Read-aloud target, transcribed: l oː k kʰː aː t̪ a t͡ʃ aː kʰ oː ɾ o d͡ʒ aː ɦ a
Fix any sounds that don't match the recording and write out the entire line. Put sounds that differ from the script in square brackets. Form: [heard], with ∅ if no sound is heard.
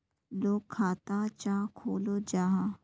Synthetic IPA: l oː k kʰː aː t̪ a t͡ʃ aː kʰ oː [l] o d͡ʒ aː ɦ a